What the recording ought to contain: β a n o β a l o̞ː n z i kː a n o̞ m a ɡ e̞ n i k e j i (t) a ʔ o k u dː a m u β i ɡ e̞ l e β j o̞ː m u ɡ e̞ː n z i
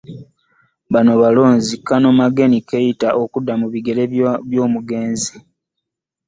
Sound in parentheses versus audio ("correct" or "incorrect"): correct